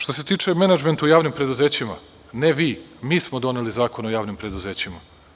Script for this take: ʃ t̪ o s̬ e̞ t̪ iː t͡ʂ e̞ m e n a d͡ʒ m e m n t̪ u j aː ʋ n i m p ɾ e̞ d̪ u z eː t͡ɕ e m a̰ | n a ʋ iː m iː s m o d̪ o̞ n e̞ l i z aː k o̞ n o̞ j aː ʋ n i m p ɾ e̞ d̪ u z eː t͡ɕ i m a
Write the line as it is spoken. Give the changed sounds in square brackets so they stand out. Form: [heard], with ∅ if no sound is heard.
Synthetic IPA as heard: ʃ t̪ o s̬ e̞ t̪ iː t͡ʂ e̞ m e n a d͡ʒ m e [∅] n t̪ u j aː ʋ n i m p ɾ e̞ d̪ u z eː t͡ɕ [i] m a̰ | n [e] ʋ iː m iː s m o d̪ o̞ n e̞ l i z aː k o̞ n o̞ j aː ʋ n i m p ɾ e̞ d̪ u z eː t͡ɕ i m a